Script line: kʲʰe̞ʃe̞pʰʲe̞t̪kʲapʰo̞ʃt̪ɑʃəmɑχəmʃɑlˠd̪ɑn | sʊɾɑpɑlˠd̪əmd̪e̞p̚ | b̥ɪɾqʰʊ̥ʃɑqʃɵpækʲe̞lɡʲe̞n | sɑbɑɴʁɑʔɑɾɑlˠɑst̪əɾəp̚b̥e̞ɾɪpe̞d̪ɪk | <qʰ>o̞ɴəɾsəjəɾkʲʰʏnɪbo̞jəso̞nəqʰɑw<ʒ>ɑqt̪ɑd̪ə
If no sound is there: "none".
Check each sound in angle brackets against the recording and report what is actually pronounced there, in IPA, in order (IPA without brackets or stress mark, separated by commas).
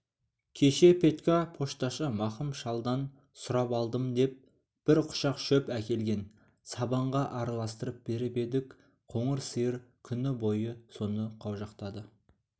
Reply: qʰ, ʒ